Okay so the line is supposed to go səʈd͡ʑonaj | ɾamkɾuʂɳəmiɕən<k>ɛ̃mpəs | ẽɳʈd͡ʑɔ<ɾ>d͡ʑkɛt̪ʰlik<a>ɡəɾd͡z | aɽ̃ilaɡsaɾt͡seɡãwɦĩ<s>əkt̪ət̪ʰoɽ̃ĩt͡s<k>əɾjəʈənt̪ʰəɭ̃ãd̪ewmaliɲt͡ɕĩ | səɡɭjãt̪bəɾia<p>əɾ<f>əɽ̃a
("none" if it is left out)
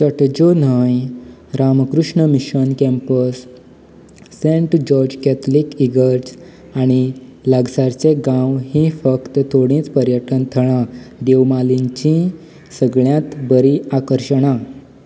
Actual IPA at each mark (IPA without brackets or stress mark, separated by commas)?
k, ɾ, i, f, p, k, ɕ